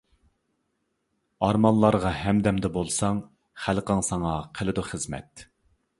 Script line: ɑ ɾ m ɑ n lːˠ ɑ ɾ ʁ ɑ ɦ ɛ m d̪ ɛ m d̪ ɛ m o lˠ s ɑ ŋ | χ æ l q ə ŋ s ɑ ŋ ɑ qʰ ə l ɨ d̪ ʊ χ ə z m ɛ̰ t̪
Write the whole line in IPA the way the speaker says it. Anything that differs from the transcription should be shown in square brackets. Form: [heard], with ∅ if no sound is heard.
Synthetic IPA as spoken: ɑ ɾ m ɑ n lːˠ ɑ ɾ ʁ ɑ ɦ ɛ m d̪ ɛ m d̪ ɛ [b] o lˠ s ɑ ŋ | χ æ l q ə ŋ s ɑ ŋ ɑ qʰ ə l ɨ d̪ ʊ χ ə z m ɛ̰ t̪